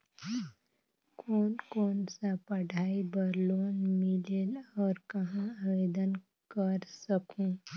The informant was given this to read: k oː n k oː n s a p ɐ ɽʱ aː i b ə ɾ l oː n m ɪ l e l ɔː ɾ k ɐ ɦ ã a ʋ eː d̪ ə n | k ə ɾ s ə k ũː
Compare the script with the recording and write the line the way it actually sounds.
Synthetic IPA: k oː n k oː n s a p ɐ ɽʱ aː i b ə ɾ l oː n m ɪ l e l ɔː ɾ k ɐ ɦ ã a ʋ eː d̪ ə n | k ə ɾ s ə k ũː